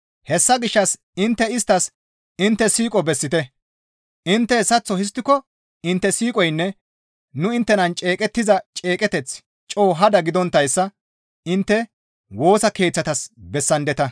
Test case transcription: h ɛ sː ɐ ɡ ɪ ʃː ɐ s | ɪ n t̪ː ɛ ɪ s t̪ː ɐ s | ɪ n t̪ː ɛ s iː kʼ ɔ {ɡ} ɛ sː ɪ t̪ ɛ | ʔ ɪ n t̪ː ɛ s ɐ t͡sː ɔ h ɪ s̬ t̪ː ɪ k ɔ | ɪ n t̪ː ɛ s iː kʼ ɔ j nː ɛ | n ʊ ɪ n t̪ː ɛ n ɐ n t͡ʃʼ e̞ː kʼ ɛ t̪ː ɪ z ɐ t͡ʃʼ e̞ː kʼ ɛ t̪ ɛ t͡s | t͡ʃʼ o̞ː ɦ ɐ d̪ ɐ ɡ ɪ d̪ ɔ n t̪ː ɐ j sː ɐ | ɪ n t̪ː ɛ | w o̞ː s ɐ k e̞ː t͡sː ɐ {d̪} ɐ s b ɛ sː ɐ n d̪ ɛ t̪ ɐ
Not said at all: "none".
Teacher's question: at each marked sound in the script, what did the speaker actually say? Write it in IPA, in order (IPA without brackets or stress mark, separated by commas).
b, t̪